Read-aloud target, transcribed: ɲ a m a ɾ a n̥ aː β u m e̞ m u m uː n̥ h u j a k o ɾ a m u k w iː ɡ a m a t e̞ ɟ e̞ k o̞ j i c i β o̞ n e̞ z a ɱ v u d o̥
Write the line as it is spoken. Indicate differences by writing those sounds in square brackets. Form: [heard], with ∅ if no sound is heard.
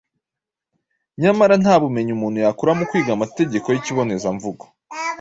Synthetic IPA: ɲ a m a ɾ a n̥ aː β u m e̞ [ɲ] u m uː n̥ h u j a k [u] ɾ a m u k w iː ɡ a m a t e̞ ɟ e̞ k o̞ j i c i β o̞ n e̞ z a ɱ v u [ɡ] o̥